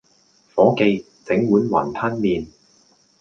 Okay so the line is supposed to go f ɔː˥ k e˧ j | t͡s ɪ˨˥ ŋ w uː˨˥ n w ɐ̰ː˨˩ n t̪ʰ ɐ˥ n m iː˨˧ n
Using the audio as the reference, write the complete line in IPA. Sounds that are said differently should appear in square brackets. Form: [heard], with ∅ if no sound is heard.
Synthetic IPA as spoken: f [ɔː˨˥] k e˧ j | t͡s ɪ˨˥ ŋ w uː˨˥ n w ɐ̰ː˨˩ n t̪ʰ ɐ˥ n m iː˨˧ n